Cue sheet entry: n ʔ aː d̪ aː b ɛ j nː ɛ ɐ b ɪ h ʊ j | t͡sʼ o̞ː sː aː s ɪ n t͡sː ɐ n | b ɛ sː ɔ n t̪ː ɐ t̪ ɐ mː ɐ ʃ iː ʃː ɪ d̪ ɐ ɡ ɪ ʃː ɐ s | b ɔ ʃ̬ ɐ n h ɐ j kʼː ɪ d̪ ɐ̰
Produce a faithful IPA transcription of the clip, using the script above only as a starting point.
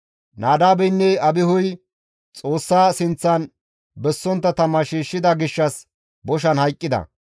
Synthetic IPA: n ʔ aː d̪ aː b ɛ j nː ɛ ɐ b ɪ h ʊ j | t͡sʼ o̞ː sː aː s ɪ n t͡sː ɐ n | b ɛ sː ɔ n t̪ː ɐ t̪ ɐ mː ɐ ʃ iː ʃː ɪ d̪ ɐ ɡ ɪ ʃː ɐ s | b ɔ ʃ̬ ɐ n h ɐ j kʼː ɪ d̪ ɐ̰